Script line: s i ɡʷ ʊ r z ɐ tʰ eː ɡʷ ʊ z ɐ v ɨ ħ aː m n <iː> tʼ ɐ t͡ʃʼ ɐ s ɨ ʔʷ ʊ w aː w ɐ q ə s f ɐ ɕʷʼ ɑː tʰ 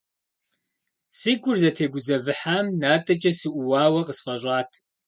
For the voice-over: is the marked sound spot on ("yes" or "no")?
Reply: no